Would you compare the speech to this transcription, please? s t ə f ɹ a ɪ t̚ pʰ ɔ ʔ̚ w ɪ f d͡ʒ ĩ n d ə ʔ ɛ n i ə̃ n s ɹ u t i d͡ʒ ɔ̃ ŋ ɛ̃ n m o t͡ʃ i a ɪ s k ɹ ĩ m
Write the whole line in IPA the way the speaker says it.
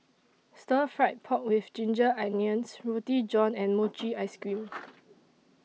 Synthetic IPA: s t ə f ɹ a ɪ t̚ pʰ ɔ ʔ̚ w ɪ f d͡ʒ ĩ n d͡ʒ ə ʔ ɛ n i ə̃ n s ɹ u t i d͡ʒ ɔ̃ n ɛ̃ n m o t͡ʃ i a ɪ s k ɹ ĩ m